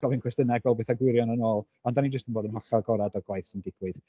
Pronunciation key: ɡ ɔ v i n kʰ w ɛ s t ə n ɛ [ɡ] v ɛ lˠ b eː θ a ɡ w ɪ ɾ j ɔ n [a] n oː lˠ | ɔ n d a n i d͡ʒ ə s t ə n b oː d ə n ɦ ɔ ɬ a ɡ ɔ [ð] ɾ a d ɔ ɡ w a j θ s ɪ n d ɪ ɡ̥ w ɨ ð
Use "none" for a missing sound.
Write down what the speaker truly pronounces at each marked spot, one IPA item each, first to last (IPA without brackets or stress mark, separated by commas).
ɡ, ə, none